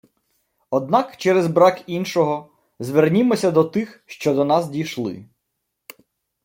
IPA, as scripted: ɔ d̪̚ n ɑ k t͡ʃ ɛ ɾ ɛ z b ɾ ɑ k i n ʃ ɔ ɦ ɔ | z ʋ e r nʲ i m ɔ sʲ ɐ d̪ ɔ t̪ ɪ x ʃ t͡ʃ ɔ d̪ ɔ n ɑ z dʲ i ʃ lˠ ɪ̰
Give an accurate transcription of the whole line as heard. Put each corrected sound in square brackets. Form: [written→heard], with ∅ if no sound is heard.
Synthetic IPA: ɔ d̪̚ n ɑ k t͡ʃ ɛ ɾ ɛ z b ɾ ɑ k i n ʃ ɔ ɦ ɔ | z ʋ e r nʲ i m ɔ sʲ ɐ d̪ ɔ t̪ ɪ x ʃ t͡ʃ ɔ d̪ ɔ n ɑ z dʲ i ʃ lˠ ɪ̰